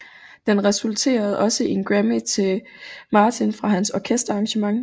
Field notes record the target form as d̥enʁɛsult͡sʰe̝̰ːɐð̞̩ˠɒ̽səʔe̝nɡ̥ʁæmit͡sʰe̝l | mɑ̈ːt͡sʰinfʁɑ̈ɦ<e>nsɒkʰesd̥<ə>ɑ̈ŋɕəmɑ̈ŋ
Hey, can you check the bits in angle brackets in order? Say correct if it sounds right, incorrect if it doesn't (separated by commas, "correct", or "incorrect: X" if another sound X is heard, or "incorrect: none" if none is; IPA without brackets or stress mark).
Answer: incorrect: æ, incorrect: ɐ